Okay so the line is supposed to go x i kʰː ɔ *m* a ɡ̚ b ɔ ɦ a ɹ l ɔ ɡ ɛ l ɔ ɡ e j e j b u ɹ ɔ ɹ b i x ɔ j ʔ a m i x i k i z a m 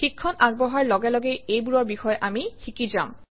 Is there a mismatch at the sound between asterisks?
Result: yes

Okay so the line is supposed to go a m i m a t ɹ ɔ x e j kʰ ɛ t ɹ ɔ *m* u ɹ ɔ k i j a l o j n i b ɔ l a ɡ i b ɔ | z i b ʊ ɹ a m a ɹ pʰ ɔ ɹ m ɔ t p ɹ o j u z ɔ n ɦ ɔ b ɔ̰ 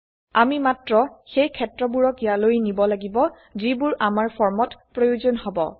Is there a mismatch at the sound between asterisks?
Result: yes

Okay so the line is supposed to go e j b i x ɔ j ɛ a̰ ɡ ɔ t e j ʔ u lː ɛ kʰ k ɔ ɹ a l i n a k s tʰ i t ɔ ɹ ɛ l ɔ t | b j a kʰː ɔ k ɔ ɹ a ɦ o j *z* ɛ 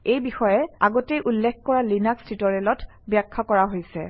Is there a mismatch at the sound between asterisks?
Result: yes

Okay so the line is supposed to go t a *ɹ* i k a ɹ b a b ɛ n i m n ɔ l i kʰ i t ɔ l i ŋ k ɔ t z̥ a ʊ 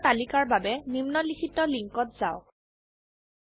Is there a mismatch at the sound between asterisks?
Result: yes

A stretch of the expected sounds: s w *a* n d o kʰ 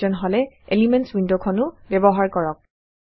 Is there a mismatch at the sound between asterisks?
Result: yes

